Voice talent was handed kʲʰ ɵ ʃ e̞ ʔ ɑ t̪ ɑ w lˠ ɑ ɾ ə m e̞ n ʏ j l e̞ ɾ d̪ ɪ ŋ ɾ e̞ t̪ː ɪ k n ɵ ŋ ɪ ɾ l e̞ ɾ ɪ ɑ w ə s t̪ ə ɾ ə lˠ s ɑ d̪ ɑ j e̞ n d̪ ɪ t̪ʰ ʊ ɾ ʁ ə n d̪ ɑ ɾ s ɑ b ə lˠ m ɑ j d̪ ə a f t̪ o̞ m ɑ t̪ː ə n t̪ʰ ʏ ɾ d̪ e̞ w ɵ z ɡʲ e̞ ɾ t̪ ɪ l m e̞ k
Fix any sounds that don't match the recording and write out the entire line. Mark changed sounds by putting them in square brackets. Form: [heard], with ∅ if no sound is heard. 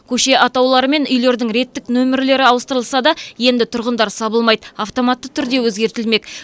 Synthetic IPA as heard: kʲʰ ɵ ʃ e̞ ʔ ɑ t̪ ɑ w lˠ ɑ ɾ ə m e̞ n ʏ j l e̞ ɾ d̪ ɪ ŋ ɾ e̞ t̪ː ɪ k n ɵ [m] ɪ ɾ l e̞ ɾ ɪ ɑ w ə s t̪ ə ɾ ə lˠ s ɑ d̪ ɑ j e̞ n d̪ ɪ t̪ʰ ʊ ɾ ʁ ə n d̪ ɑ ɾ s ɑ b ə lˠ m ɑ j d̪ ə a f t̪ o̞ m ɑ t̪ː ə [∅] t̪ʰ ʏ ɾ d̪ e̞ w ɵ z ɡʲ e̞ ɾ t̪ ɪ l m e̞ k